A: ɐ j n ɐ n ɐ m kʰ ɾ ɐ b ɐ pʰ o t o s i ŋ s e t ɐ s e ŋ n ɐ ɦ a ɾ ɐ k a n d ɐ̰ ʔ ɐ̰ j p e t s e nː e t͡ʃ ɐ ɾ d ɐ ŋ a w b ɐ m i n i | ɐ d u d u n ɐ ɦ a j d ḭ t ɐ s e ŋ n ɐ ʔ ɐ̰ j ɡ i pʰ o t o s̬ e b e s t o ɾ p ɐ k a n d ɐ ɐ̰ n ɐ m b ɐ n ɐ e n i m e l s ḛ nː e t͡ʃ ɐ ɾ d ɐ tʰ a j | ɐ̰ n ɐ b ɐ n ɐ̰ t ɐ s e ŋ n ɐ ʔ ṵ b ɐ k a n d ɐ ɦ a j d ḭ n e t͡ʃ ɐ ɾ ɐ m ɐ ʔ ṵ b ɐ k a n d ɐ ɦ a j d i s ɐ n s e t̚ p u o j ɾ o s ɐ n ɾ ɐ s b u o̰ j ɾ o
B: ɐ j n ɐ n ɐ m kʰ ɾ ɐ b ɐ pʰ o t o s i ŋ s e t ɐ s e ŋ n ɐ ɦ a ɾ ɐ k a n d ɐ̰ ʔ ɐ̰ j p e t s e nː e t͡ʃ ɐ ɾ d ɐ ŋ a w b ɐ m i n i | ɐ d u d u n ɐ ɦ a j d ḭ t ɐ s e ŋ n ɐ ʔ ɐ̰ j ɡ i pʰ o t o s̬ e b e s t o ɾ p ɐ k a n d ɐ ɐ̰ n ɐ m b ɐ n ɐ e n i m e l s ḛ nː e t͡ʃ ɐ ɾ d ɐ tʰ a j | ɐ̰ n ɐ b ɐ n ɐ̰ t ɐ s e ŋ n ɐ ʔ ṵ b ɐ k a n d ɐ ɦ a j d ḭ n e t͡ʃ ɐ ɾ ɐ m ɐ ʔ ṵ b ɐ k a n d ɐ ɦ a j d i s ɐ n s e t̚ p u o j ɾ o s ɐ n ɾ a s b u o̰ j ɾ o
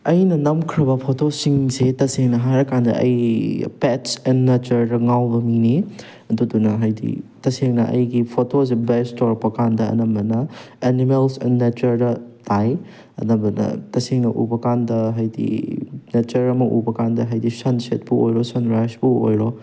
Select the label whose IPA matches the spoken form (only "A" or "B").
B